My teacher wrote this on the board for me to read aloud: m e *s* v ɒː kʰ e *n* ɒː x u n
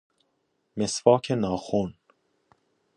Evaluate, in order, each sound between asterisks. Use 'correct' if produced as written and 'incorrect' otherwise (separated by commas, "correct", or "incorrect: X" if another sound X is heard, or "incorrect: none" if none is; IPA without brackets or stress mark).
correct, correct